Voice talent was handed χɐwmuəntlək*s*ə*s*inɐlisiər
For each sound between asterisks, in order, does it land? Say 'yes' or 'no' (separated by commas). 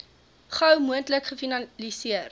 no, no